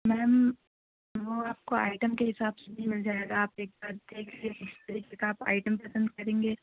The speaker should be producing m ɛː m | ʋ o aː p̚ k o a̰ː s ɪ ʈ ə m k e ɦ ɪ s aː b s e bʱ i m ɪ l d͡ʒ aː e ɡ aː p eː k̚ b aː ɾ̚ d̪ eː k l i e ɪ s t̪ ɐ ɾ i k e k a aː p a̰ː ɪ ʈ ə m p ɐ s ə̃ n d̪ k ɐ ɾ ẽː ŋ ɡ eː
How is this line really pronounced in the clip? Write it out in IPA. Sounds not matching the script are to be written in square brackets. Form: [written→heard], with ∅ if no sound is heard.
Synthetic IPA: m ɛː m | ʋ o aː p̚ k o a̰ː [s→∅] ɪ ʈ ə m k e ɦ ɪ s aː b s e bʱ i m ɪ l d͡ʒ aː e ɡ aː p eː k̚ b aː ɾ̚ d̪ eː [k→kʰ] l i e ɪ s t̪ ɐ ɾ i k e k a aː p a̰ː ɪ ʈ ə m p ɐ s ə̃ n d̪ k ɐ ɾ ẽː ŋ ɡ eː